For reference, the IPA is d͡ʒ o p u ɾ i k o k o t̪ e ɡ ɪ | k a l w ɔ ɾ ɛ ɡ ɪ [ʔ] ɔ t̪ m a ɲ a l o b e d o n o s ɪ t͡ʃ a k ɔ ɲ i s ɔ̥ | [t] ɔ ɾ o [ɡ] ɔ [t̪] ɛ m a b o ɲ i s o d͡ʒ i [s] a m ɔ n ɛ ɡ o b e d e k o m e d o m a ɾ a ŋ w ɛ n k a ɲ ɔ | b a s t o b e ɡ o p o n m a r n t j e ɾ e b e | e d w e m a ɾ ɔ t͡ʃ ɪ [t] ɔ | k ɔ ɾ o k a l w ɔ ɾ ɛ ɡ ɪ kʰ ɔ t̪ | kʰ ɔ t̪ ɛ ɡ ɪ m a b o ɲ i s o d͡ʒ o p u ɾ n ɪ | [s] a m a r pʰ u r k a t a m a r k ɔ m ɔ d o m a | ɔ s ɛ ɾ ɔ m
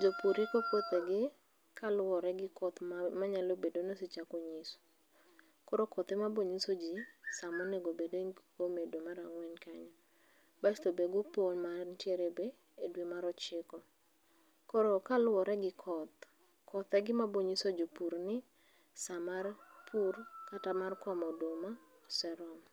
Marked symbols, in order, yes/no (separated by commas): no, no, no, yes, yes, no, yes